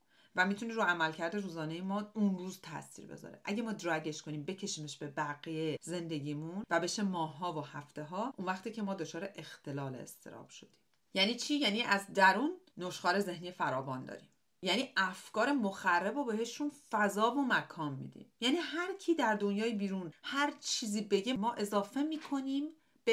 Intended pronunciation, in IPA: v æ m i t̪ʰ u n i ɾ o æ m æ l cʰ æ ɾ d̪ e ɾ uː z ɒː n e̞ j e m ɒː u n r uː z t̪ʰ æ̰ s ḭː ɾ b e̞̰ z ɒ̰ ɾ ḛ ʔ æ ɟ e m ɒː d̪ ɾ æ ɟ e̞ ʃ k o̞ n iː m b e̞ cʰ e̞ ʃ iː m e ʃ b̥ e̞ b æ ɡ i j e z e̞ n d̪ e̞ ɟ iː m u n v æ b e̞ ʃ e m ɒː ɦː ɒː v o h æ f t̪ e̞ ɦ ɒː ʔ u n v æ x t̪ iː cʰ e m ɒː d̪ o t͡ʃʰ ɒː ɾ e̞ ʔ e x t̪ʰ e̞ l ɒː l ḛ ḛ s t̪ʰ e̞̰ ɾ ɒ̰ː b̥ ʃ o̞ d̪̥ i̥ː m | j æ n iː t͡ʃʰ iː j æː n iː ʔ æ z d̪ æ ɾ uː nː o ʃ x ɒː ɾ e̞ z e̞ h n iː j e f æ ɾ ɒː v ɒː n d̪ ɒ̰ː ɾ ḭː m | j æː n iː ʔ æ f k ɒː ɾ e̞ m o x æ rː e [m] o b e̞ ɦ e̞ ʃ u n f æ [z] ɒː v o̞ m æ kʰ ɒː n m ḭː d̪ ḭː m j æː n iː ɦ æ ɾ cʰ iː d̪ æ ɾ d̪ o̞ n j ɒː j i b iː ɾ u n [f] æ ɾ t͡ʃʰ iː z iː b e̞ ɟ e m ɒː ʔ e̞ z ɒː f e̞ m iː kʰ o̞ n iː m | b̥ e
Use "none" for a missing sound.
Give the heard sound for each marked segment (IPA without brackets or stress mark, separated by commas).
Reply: b, z, h